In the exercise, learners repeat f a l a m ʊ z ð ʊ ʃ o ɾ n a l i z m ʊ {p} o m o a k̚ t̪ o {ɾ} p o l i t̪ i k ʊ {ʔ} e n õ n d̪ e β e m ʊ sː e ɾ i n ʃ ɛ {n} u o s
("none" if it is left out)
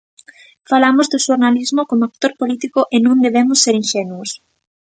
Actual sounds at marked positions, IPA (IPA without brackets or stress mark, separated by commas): k, ɾ, ʔ, n